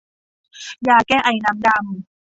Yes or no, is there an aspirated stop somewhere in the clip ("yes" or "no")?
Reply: no